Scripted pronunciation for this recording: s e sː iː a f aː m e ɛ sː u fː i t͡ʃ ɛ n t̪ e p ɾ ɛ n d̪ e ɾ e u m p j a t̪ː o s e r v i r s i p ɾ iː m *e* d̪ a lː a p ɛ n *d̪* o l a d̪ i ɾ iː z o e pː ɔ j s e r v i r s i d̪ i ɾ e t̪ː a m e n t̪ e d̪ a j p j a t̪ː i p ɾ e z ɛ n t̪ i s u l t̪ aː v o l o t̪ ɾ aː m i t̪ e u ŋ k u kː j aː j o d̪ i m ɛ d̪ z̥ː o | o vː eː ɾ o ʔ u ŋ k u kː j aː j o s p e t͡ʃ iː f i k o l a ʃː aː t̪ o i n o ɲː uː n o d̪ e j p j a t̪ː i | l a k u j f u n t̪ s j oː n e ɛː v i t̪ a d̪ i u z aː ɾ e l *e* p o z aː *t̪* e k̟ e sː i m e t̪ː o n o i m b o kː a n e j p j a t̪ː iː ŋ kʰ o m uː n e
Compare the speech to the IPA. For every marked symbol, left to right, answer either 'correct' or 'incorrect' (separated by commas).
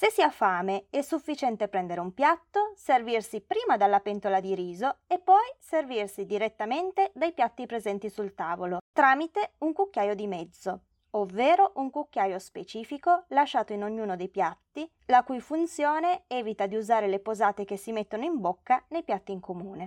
incorrect, incorrect, correct, correct